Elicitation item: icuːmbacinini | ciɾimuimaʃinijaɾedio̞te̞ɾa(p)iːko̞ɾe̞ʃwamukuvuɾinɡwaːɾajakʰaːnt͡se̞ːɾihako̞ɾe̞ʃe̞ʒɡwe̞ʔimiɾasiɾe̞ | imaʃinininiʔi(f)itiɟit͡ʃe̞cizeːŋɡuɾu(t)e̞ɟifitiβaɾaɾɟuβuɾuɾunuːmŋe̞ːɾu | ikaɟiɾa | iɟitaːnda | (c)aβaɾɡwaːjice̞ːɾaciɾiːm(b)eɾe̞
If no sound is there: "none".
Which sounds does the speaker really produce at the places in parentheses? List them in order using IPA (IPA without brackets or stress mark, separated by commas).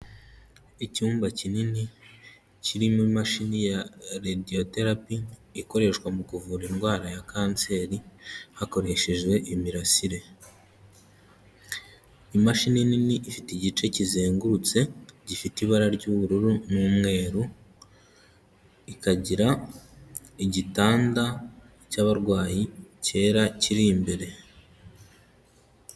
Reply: p, f, t͡s, c, b